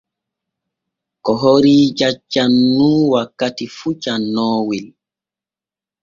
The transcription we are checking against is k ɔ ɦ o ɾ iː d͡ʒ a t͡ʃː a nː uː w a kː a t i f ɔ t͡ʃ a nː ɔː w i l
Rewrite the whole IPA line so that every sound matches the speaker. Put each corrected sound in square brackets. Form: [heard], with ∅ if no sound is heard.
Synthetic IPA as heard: k ɔ ɦ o ɾ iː d͡ʒ a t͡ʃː a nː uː w a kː a t i f [u] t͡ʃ a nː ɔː w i l